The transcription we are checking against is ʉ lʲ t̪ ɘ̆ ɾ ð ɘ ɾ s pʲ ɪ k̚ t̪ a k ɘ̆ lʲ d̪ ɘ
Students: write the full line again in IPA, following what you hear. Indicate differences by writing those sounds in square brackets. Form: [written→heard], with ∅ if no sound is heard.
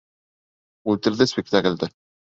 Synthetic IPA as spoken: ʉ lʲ t̪ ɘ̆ ɾ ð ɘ [ɾ→∅] s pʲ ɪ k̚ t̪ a k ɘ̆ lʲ d̪ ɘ